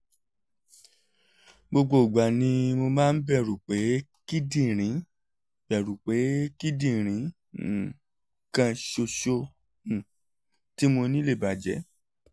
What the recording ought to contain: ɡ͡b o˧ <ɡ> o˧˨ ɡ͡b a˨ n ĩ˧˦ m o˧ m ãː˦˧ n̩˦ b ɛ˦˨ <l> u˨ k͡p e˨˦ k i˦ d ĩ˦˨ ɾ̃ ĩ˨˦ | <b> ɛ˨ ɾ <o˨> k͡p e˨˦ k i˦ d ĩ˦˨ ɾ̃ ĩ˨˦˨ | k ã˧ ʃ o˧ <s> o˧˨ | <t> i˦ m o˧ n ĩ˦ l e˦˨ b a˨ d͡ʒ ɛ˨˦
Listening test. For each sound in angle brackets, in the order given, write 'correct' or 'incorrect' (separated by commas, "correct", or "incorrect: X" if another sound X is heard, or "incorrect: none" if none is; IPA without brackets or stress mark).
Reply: incorrect: ɡ͡b, incorrect: ɾ, correct, incorrect: u˨, incorrect: ʃ, correct